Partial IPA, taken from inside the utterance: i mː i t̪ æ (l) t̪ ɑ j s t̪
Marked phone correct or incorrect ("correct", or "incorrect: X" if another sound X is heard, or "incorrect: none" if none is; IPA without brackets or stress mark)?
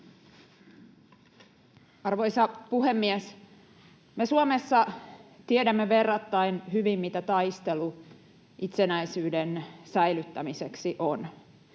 incorrect: none